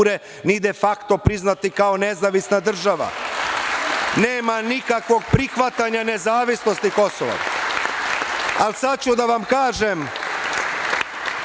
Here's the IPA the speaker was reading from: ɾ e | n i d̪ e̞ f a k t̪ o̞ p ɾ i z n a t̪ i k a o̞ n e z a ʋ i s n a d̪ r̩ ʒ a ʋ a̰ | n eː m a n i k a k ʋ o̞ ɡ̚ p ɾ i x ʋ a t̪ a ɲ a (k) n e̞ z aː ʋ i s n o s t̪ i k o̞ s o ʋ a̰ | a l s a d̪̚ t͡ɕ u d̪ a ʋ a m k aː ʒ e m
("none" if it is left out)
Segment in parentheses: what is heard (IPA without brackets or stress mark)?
none